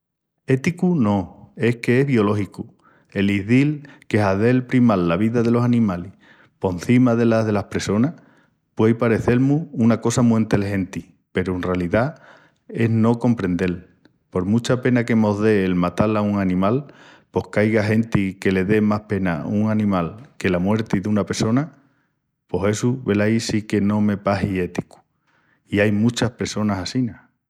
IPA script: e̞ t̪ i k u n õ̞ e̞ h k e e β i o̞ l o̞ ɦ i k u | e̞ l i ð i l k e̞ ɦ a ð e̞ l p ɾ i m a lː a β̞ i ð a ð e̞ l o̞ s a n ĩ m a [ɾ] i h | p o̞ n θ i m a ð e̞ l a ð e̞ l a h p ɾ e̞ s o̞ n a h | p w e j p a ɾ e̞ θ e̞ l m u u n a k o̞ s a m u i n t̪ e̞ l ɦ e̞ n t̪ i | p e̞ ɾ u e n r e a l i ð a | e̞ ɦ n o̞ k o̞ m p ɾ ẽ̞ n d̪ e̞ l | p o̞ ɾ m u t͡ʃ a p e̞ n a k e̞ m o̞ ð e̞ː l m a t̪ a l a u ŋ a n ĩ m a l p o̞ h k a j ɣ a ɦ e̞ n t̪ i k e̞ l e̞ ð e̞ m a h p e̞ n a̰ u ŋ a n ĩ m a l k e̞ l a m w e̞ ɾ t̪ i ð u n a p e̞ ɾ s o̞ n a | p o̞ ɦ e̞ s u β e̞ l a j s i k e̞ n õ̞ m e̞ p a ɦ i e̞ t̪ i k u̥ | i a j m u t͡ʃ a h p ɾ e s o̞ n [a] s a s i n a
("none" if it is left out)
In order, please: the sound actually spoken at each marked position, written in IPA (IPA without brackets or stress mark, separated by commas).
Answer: l, a